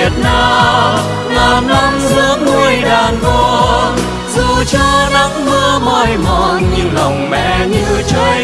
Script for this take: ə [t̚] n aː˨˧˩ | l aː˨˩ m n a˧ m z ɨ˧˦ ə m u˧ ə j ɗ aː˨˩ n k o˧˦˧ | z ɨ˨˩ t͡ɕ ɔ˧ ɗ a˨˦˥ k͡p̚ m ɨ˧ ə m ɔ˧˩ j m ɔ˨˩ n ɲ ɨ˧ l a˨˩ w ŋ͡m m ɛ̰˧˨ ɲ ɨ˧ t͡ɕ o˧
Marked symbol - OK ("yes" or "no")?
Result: yes